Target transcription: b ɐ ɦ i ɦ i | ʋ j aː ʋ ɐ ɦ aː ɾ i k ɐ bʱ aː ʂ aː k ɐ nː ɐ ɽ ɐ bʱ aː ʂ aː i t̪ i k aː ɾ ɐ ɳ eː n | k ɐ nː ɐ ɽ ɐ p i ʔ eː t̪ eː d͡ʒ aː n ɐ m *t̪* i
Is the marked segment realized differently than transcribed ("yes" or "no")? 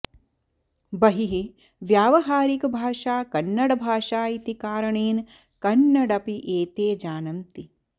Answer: no